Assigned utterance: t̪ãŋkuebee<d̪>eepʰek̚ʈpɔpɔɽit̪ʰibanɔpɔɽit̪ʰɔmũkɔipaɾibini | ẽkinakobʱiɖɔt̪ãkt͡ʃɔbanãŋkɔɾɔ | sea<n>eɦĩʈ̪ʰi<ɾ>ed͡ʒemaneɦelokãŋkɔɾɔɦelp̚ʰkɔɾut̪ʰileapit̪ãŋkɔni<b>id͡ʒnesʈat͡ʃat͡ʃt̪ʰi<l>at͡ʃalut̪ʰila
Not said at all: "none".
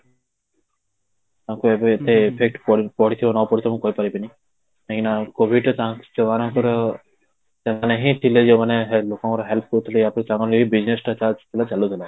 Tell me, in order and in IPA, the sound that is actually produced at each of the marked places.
t̪, n, l, b, l

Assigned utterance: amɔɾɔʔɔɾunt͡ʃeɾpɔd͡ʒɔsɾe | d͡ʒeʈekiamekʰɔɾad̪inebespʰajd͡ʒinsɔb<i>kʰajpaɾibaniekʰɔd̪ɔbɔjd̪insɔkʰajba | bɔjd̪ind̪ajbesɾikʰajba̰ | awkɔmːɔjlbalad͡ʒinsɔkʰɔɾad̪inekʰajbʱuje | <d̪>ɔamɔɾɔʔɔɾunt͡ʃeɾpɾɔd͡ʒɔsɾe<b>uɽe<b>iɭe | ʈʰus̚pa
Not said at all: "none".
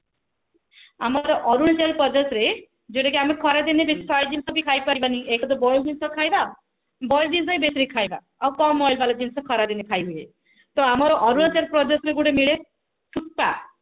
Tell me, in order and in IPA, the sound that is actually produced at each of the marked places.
i, t̪, ɡ, m

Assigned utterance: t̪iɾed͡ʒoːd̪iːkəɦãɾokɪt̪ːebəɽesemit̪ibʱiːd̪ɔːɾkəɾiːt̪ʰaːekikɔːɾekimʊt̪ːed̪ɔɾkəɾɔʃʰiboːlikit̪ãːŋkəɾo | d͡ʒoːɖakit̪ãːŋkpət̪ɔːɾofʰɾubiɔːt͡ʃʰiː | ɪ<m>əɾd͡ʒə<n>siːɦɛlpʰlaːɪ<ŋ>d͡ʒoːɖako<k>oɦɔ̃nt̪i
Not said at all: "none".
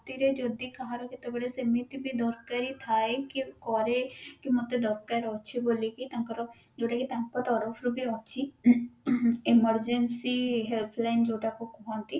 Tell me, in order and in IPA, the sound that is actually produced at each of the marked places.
m, n, n, k

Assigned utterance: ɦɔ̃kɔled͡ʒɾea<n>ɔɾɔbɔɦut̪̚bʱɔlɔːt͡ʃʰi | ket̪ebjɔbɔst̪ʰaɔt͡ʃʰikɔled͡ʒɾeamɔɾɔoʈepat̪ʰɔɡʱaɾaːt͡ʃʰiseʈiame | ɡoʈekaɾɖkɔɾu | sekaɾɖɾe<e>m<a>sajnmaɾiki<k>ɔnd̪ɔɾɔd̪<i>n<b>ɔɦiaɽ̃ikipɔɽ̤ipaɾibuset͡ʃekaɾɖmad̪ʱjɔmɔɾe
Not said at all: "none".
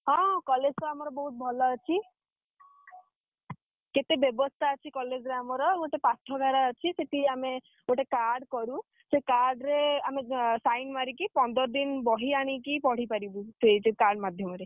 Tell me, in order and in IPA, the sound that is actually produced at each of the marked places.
m, a, e, p, i, b

